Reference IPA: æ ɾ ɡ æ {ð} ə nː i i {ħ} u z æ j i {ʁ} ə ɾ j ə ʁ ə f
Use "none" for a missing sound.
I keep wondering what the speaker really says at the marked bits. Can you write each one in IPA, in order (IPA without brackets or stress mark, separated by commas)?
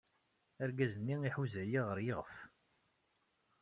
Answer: z, ħ, ʁ